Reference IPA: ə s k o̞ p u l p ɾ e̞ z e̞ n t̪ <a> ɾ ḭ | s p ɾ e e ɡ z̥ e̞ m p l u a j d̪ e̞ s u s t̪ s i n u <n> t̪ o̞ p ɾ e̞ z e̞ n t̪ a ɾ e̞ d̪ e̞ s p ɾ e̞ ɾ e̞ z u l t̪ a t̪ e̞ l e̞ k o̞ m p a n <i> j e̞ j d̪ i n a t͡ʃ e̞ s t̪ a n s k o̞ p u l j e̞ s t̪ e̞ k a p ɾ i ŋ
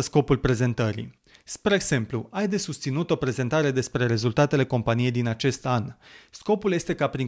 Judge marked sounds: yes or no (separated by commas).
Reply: no, no, yes